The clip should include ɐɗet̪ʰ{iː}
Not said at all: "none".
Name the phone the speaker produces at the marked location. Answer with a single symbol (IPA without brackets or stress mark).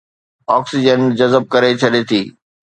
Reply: iː